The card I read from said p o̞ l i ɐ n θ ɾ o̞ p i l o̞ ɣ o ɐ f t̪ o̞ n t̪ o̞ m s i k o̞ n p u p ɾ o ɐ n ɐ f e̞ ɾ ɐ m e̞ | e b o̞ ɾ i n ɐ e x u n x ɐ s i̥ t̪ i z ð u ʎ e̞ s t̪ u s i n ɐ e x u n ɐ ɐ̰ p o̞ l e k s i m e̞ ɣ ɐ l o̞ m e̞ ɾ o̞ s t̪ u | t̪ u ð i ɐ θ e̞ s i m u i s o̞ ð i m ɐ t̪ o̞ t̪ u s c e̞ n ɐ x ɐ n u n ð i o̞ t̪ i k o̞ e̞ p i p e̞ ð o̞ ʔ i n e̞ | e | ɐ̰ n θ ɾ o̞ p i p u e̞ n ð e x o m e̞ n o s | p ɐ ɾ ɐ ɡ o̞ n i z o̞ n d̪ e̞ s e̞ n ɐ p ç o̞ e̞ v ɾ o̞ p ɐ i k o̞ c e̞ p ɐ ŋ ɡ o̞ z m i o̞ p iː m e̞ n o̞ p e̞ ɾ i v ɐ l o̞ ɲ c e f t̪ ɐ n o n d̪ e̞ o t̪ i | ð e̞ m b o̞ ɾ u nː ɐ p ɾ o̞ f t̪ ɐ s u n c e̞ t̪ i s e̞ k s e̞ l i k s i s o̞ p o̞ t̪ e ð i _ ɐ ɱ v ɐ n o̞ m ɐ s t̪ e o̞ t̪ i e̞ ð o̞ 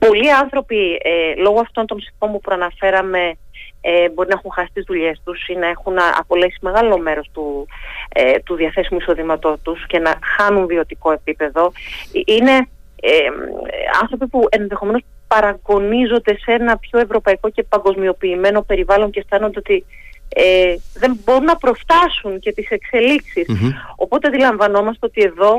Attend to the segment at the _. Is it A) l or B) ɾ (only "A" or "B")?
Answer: A